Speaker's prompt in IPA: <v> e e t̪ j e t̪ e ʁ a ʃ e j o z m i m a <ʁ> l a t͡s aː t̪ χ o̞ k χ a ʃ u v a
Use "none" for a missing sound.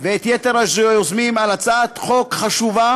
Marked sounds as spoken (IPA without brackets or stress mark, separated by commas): v, none